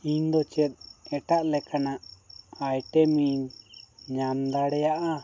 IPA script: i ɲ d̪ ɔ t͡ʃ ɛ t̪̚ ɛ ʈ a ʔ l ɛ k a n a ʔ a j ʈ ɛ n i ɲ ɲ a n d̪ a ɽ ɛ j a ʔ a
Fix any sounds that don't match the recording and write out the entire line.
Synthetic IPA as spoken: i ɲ d̪ ɔ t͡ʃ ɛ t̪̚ ɛ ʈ a ʔ l ɛ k a n a ʔ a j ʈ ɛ m i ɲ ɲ a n d̪ a ɽ ɛ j a ʔ a